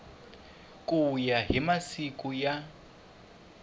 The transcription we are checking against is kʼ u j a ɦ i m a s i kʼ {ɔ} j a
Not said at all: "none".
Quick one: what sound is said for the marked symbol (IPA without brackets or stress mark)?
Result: u